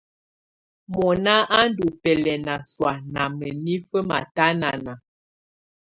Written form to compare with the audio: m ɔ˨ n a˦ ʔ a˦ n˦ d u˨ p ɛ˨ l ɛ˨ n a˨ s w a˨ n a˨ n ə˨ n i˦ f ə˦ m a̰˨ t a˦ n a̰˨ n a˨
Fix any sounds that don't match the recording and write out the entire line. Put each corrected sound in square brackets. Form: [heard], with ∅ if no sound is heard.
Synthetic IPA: m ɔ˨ n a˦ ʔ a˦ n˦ d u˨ p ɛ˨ l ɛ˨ n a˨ s w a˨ n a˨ [m] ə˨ n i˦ f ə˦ m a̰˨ t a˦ n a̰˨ n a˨